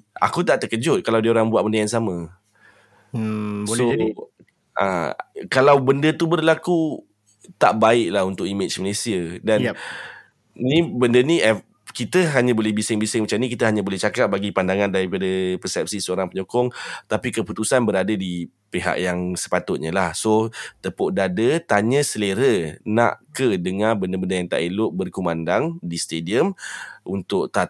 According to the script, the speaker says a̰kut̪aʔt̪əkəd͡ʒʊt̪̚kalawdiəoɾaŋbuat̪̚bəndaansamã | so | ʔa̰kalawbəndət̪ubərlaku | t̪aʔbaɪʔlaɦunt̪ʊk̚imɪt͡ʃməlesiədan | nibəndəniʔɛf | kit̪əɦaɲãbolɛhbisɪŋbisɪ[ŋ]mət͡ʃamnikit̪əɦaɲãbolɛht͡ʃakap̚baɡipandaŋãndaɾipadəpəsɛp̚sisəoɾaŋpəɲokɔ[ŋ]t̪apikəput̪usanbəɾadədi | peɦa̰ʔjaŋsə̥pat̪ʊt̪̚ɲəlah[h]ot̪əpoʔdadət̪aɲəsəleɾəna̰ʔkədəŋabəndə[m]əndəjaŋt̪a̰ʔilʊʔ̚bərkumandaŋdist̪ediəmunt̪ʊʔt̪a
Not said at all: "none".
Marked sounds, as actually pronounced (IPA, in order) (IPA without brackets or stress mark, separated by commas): ŋ, ŋ, s, b